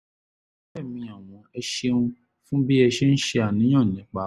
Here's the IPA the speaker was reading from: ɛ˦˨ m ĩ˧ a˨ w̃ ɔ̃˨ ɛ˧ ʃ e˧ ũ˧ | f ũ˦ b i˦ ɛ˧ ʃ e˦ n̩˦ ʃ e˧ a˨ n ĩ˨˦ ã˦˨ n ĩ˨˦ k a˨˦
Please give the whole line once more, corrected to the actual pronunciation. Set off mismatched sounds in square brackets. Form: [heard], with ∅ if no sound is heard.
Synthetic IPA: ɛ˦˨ m ĩ˧ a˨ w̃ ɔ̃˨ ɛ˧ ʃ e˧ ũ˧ | f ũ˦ b i˦ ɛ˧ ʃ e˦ n̩˦ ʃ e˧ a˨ n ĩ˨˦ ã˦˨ n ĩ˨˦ [k͡p] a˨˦